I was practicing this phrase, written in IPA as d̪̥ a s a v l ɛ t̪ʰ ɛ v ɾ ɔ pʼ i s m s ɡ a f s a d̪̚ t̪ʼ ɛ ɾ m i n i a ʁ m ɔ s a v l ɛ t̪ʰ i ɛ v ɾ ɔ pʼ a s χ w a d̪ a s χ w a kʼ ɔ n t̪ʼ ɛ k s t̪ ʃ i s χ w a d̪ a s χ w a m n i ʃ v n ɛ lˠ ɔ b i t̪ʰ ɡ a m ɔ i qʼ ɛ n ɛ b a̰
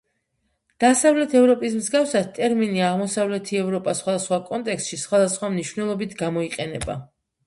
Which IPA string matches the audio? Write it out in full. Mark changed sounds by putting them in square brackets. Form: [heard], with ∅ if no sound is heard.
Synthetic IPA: d̪̥ a s a v l ɛ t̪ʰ ɛ v ɾ ɔ pʼ i s m [z] ɡ a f s a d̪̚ t̪ʼ ɛ ɾ m i n i a ʁ m ɔ s a v l ɛ t̪ʰ i ɛ v ɾ ɔ pʼ a s χ w a d̪ a s χ w a kʼ ɔ n t̪ʼ ɛ k s t̪ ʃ i s χ w a d̪ a s χ w a m n i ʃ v n ɛ lˠ ɔ b i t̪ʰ ɡ a m ɔ i qʼ ɛ n ɛ b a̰